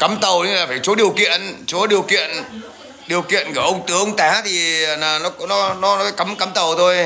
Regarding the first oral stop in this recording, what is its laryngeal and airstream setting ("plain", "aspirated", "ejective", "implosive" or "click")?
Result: plain